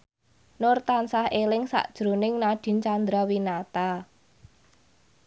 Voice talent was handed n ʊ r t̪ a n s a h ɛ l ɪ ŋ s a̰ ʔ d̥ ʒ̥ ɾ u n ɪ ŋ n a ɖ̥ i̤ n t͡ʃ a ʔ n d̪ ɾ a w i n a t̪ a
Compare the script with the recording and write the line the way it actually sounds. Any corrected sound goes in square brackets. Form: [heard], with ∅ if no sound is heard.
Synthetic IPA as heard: n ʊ r t̪ a n s a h [e] l ɪ ŋ s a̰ ʔ d̥ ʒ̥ ɾ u n ɪ ŋ n a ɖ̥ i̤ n t͡ʃ a [∅] n d̪ ɾ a w i n a t̪ a